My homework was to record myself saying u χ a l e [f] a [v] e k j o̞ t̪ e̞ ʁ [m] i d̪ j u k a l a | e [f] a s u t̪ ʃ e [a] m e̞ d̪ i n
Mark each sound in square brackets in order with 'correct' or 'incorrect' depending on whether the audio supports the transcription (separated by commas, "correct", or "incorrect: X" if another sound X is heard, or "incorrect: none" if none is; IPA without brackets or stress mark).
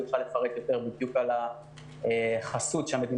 correct, incorrect: ʁ, incorrect: b, incorrect: χ, correct